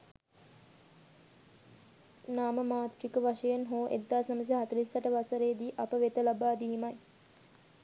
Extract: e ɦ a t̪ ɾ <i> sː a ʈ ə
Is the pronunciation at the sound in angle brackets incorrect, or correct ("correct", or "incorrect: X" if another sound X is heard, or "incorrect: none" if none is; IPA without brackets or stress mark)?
correct